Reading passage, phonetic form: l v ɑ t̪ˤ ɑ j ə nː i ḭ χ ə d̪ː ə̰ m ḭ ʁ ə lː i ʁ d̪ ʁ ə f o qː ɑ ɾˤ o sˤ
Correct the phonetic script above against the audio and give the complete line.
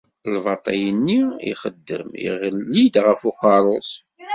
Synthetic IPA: l v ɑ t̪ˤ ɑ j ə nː i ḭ χ ə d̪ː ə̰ m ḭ ʁ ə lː i d̪ ʁ ə f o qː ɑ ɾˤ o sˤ